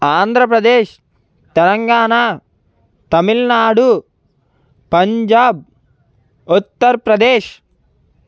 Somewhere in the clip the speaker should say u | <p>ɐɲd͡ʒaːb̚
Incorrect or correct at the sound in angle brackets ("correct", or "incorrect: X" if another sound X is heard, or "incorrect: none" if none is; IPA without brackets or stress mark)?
correct